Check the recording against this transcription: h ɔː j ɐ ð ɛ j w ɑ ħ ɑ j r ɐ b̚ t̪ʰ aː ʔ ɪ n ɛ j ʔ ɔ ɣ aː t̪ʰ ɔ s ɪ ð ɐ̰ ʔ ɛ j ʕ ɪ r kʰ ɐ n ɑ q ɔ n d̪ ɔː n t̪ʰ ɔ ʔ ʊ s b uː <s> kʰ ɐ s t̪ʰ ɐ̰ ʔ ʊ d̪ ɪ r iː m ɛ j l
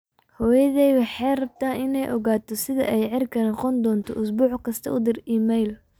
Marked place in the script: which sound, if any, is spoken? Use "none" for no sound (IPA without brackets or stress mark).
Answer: ħ